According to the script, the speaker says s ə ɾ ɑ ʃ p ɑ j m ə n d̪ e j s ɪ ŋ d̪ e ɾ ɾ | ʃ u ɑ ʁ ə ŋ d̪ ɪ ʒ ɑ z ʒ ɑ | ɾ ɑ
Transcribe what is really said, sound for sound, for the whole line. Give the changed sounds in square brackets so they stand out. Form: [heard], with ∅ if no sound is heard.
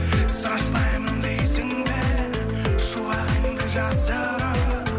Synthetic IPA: s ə ɾ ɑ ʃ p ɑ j m ə n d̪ e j s ɪ ŋ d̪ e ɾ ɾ | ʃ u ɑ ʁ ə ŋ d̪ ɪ ʒ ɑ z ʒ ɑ | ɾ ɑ